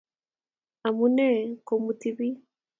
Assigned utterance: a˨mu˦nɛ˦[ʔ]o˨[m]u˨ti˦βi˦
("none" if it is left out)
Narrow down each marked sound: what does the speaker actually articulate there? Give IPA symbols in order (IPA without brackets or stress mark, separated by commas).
k, m